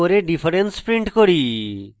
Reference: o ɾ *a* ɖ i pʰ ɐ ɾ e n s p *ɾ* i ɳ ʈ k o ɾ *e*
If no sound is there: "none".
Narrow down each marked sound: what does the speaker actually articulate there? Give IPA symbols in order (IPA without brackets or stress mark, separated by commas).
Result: e, ɾ, i